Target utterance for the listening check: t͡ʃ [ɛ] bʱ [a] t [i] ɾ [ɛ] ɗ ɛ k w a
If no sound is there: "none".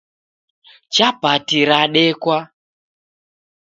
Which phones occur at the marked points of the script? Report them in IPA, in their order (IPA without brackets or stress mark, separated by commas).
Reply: a, a, i, a